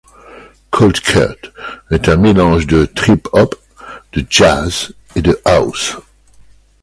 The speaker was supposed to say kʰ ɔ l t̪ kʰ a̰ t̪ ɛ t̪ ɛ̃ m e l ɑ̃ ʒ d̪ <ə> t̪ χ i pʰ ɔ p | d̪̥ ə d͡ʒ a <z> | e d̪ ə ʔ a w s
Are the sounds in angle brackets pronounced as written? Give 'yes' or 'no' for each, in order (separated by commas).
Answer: yes, yes